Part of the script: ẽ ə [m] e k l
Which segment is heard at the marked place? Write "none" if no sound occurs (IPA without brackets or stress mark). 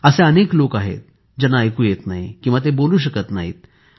n